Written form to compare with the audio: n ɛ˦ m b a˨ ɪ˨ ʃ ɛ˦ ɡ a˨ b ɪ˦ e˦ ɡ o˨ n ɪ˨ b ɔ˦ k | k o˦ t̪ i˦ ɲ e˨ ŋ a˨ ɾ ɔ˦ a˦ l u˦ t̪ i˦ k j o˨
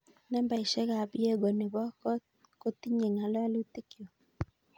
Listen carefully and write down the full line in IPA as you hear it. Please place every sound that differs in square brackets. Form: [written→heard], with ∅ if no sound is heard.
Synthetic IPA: n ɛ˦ m b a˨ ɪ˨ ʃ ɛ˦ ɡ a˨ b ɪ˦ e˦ ɡ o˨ n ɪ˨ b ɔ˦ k | k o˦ t̪ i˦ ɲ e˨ ŋ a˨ [ɾ→l] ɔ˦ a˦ l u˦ t̪ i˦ k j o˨